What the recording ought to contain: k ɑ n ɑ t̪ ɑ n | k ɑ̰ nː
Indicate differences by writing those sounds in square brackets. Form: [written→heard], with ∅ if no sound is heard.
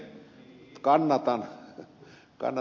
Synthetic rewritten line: k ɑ [n→nː] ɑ t̪ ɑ n | k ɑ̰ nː